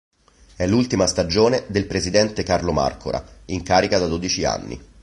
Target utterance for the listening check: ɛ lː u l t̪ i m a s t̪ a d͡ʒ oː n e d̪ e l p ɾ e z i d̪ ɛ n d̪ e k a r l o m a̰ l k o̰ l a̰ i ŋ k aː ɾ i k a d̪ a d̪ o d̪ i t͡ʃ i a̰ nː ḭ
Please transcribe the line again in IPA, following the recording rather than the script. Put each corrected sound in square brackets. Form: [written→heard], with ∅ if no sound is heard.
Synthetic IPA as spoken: ɛ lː u l t̪ i m a s t̪ a d͡ʒ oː n e d̪ e l p ɾ e z i d̪ ɛ n [d̪→t̪] e k a r l o m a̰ [l→r] k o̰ [l→ɾ] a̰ i ŋ k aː ɾ i k a d̪ a d̪ o d̪ i t͡ʃ i a̰ nː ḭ